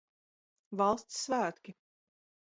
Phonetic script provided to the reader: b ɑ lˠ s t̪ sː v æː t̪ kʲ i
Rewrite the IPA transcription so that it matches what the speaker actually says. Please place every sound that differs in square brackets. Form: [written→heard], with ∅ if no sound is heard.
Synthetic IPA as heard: [b→v] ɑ lˠ s t̪ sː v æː t̪ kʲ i